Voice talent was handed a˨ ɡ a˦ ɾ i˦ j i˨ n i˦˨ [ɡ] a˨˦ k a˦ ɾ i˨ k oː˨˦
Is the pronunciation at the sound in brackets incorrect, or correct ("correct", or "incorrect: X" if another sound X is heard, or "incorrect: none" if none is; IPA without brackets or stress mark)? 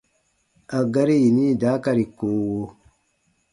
incorrect: d